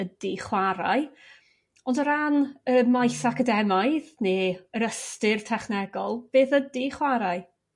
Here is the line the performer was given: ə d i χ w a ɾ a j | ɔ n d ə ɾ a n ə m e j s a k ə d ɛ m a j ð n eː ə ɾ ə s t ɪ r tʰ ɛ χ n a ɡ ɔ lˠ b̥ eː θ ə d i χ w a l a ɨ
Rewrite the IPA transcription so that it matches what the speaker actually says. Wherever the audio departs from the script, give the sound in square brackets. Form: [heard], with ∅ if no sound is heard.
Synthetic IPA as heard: ə d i χ w a ɾ a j | ɔ n d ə ɾ a n ə m [a] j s a k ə d ɛ m a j ð n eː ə ɾ ə s t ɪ r tʰ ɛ χ n [ɛ] ɡ ɔ lˠ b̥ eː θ ə d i χ w a [ɾ] a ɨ